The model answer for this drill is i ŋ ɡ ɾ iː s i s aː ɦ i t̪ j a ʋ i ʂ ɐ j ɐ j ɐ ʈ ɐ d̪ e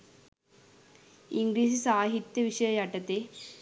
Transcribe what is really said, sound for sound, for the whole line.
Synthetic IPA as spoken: i ŋ ɡ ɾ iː s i s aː ɦ i t̪ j ɐ ʋ i ʂ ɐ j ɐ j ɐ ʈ ɐ t̪ e